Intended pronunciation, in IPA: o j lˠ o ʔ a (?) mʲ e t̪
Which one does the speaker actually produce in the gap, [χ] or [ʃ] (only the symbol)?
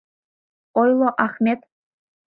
χ